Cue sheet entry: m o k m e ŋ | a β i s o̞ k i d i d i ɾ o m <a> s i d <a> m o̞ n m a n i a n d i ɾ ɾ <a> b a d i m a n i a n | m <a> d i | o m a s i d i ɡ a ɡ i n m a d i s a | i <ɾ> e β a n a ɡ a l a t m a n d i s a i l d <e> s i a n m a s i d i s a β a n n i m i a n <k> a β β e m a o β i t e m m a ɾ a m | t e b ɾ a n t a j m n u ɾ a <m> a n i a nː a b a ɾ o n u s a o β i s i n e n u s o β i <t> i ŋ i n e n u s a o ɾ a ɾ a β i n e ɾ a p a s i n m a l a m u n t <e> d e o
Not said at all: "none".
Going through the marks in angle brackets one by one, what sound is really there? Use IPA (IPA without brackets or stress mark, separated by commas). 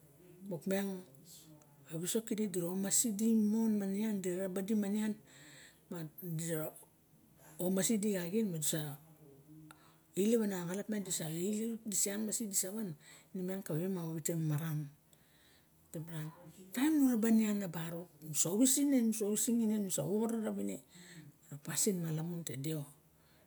a, i, a, a, l, i, k, b, s, e